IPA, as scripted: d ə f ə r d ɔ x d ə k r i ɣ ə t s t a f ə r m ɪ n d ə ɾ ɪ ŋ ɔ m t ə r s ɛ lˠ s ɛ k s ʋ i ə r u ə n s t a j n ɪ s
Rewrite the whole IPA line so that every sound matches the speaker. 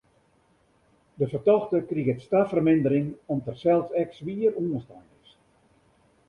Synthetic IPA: d ə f ə r t ɔ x t ə k r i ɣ ə t s t a f ə r m ɪ n d ə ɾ ɪ ŋ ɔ m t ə r s ɛ lˠ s ɛ k s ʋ i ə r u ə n s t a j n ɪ s